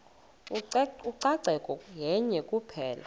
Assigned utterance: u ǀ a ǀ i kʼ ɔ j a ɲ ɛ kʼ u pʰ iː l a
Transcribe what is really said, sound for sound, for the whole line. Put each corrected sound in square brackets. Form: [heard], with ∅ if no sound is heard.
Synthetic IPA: u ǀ a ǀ [ɛ] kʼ ɔ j [ɛ] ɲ ɛ kʼ u pʰ [ɛː] l a

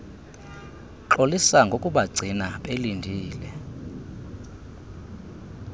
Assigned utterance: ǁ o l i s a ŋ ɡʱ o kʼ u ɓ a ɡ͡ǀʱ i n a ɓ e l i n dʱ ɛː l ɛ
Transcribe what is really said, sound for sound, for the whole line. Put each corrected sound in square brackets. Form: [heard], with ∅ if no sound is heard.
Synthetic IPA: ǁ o l i s a ŋ ɡʱ o kʼ u ɓ a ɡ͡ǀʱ i n a ɓ e l i n dʱ [iː] l ɛ

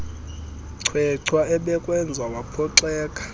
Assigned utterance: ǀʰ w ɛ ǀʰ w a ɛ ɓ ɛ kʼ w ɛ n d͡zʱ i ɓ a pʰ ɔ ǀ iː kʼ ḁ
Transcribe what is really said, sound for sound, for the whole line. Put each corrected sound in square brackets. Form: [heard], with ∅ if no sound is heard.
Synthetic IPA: ǀʰ w ɛ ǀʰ w a ɛ ɓ ɛ kʼ w ɛ n d͡zʱ [a] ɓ a pʰ ɔ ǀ [ɛː] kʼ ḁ

